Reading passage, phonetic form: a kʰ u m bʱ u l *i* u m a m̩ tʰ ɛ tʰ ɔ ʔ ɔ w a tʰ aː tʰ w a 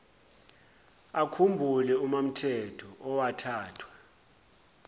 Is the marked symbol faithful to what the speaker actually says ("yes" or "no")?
no